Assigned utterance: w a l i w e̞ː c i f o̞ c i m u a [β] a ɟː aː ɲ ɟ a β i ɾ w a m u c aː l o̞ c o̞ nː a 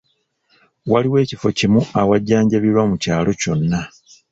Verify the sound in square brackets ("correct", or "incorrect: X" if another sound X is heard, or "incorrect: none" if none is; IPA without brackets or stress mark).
incorrect: w